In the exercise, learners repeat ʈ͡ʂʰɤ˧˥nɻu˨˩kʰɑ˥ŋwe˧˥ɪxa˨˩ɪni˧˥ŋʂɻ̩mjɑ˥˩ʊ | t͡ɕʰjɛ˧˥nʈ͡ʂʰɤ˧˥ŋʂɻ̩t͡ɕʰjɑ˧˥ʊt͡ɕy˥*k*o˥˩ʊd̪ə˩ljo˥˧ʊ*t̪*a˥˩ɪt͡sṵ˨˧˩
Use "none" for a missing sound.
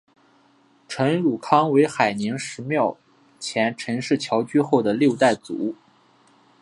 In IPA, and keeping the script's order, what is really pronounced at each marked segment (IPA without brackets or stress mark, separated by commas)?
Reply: x, t̪